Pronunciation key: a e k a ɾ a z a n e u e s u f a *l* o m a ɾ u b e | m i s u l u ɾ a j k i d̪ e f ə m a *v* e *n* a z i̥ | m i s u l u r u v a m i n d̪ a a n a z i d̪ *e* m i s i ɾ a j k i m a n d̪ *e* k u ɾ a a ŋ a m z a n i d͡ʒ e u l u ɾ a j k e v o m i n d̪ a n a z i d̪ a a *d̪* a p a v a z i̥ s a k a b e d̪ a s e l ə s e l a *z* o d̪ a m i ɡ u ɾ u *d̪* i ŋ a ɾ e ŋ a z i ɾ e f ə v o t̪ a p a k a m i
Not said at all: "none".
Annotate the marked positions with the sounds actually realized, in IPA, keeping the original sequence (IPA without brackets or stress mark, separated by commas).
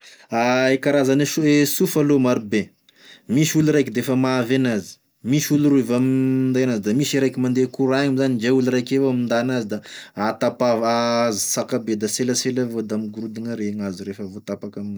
l, v, n, a, e, t̪, v, d̪